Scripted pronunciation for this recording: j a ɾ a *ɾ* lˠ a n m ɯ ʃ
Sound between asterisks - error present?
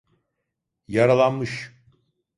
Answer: yes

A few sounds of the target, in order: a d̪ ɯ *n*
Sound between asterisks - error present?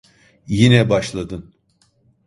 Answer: no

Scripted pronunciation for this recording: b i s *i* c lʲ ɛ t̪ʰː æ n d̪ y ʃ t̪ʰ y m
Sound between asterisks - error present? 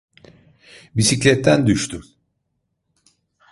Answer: no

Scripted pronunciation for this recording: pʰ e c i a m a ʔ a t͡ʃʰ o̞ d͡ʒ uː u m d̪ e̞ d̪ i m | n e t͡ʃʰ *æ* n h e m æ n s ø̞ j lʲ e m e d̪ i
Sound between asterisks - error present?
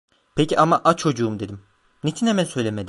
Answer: yes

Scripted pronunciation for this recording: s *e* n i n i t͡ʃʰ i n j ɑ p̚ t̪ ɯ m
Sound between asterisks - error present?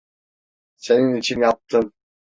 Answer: no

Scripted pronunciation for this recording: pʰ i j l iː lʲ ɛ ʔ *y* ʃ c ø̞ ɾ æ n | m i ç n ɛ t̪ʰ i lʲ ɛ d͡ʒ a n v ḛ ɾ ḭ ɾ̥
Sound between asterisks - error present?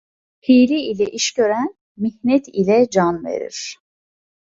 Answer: yes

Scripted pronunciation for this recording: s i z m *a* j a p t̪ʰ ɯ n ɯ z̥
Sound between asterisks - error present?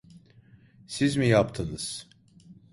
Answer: yes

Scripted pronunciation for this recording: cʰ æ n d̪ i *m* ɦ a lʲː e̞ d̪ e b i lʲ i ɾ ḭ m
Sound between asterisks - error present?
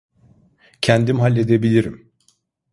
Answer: no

